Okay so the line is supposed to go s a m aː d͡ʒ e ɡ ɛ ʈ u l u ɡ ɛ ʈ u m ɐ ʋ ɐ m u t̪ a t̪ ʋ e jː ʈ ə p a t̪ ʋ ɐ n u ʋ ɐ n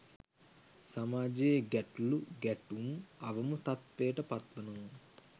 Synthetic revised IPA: s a m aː d͡ʒ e ɡ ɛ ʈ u l u ɡ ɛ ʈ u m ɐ ʋ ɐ m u t̪ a t̪ ʋ e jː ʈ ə p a t̪ ʋ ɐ n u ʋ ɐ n